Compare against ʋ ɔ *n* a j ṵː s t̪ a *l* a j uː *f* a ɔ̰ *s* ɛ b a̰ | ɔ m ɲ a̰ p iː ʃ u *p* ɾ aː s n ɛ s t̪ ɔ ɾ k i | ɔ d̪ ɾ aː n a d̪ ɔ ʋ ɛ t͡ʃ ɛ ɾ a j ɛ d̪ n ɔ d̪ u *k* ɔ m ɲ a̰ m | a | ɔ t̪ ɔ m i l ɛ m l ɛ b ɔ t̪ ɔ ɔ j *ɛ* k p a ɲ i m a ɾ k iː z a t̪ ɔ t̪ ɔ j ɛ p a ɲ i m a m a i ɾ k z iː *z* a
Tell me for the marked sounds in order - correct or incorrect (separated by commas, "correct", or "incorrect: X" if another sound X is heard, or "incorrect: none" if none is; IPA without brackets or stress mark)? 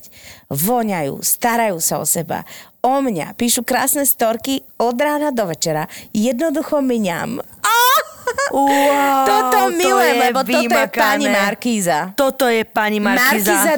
incorrect: ɲ, incorrect: ɾ, incorrect: s, correct, incorrect: k, incorrect: x, correct, correct